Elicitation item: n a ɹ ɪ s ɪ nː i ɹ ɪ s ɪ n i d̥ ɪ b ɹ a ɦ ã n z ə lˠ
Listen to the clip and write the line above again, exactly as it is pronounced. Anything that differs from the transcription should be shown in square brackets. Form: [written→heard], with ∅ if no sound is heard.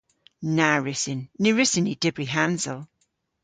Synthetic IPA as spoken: n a ɹ ɪ s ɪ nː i ɹ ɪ s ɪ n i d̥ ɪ b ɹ [a→i] ɦ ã n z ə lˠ